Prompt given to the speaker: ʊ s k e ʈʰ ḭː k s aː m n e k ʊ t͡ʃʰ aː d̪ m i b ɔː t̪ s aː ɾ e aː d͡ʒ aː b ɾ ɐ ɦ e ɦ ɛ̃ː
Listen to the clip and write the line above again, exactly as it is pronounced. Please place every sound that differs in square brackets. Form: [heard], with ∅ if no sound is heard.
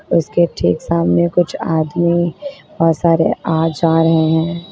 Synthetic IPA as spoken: ʊ s k e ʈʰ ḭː k s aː m n e k ʊ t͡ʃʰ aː d̪ m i b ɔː t̪ s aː ɾ e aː d͡ʒ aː [∅] ɾ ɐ ɦ e ɦ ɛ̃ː